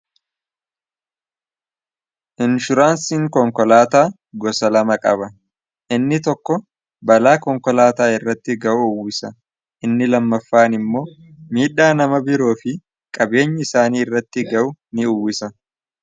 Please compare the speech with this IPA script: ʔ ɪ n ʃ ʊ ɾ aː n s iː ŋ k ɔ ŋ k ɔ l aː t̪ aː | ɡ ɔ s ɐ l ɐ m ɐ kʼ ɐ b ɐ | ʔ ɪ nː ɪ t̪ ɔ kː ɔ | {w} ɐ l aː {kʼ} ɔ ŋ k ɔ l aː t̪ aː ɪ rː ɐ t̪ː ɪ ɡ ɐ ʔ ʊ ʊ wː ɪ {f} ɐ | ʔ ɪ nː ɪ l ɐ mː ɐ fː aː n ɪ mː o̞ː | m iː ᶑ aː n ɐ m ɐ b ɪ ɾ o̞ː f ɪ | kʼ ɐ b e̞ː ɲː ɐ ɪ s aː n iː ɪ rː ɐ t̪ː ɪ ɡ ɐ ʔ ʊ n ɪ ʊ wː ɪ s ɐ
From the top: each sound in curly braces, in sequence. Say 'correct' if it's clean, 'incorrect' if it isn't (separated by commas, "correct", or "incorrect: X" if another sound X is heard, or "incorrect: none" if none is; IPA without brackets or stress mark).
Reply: incorrect: b, incorrect: k, incorrect: s